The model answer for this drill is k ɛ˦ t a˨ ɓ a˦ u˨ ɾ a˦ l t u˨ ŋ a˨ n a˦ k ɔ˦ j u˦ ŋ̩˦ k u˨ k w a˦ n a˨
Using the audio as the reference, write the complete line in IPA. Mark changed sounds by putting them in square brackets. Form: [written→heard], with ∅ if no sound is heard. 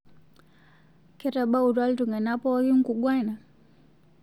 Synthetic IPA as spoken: k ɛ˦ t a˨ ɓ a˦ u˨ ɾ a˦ l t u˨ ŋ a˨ n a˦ [k→p] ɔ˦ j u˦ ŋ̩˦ k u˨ [k→ɡ] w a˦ n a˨